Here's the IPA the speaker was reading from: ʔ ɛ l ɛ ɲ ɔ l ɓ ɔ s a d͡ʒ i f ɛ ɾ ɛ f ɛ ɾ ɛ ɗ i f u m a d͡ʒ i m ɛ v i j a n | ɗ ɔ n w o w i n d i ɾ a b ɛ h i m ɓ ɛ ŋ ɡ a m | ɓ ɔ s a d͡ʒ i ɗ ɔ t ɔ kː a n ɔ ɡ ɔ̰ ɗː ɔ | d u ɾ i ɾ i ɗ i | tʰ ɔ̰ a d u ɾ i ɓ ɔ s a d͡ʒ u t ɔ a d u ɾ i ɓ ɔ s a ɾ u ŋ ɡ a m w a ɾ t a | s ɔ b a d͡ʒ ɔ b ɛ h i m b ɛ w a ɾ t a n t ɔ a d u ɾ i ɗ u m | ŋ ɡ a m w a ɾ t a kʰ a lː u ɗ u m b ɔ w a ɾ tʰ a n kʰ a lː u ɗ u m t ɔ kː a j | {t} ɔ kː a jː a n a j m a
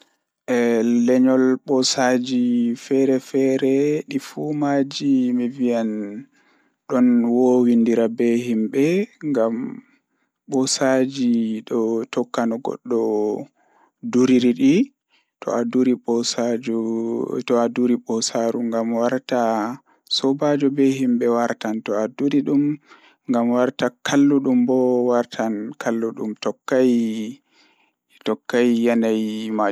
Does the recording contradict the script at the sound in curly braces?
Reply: no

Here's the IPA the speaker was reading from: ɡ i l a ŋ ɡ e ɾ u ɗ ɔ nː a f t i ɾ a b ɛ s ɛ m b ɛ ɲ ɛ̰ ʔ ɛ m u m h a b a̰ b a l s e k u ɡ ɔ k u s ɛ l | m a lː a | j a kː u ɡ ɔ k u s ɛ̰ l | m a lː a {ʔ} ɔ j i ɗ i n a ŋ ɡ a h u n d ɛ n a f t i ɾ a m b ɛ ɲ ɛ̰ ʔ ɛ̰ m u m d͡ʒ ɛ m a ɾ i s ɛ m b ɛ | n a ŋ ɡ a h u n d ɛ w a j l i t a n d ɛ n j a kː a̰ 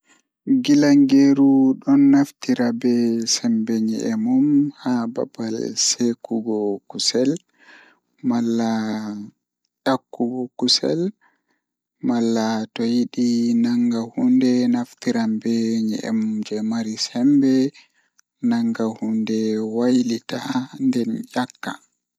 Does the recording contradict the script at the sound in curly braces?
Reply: yes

